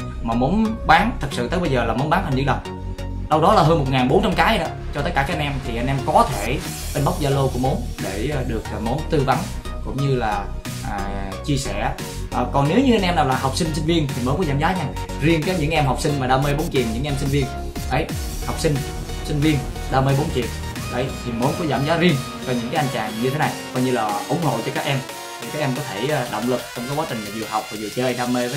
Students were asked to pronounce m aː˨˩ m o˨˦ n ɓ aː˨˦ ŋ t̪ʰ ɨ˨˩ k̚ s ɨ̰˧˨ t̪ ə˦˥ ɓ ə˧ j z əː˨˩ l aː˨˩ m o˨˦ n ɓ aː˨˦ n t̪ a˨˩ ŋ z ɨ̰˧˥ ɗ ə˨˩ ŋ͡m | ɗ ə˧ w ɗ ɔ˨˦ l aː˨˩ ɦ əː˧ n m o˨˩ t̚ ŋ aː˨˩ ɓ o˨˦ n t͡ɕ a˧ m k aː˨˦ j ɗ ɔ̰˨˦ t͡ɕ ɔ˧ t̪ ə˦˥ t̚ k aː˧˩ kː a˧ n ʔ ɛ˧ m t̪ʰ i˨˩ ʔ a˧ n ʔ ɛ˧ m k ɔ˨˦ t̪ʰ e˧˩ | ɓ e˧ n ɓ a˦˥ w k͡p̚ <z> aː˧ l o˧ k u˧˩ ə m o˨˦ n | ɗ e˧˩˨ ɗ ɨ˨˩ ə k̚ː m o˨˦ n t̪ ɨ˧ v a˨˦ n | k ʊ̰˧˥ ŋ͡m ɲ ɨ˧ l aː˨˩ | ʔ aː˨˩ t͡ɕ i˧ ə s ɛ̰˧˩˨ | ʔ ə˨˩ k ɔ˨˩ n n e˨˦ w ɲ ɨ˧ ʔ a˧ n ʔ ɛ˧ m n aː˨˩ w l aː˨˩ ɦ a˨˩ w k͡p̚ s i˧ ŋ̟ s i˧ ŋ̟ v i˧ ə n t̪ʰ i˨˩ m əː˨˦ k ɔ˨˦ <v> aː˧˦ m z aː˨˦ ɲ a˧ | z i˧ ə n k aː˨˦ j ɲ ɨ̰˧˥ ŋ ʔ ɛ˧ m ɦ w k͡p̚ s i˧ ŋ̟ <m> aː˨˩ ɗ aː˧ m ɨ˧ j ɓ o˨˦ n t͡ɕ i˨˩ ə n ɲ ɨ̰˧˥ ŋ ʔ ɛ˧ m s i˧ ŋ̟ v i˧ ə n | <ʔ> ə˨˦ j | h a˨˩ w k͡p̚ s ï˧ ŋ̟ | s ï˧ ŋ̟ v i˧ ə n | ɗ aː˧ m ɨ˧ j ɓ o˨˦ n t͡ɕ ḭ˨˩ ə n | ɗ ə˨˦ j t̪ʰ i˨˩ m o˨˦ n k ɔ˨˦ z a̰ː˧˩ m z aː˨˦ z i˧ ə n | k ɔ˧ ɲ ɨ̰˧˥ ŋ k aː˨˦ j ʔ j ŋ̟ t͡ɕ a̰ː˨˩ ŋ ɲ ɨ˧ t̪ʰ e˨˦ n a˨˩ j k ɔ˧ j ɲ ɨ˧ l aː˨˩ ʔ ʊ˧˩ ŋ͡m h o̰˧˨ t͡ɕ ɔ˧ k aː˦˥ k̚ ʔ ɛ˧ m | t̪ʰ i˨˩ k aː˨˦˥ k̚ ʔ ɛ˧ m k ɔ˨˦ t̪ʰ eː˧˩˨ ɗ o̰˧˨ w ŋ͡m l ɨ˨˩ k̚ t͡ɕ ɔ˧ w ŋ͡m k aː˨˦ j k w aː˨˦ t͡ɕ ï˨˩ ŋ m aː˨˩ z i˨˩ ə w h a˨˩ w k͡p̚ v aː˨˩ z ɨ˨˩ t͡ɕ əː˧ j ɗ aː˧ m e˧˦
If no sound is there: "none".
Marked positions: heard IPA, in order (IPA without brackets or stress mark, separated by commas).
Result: z, z, m, ʔ